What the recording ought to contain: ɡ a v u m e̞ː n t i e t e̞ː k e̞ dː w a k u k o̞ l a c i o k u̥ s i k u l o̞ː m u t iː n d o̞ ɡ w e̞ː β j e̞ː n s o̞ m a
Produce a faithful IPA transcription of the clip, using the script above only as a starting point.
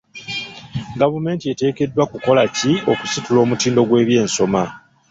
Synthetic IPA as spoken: ɡ a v u m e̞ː n t i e t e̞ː k e̞ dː w a k u k o̞ l a c i o k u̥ s i t u l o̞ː m u t iː n d o̞ ɡ w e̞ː β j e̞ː n s o̞ m a